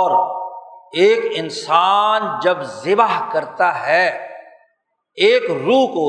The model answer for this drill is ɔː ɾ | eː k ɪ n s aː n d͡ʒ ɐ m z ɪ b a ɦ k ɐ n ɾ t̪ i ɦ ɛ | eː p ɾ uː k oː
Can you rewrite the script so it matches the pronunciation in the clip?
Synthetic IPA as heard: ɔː ɾ | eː k ɪ n s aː n d͡ʒ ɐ b z ɪ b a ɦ k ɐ ɾ t̪ a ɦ ɛ | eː k ɾ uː k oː